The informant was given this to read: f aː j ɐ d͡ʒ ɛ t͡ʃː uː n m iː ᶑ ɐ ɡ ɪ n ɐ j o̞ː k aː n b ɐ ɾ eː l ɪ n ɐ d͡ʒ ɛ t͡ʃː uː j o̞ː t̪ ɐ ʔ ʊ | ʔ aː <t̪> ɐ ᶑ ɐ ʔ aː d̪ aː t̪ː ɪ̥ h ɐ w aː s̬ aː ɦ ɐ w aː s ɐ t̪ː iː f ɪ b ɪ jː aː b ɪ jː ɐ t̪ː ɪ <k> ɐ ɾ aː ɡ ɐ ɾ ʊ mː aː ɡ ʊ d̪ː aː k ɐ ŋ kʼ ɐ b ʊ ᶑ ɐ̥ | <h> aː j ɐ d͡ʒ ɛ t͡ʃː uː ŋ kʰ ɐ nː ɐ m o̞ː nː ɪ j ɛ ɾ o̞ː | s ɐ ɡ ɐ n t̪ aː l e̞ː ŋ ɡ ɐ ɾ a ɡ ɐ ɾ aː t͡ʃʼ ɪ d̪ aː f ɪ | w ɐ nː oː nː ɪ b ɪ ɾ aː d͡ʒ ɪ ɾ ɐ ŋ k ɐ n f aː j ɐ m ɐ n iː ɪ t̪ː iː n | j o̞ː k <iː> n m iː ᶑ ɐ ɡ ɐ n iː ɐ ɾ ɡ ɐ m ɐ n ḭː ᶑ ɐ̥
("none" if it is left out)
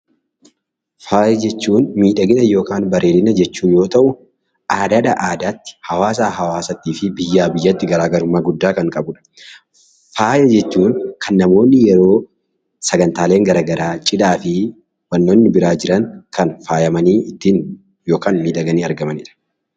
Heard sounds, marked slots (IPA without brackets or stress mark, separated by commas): d̪, ɡ, f, aː